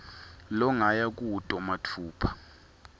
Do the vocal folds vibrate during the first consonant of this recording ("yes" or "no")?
yes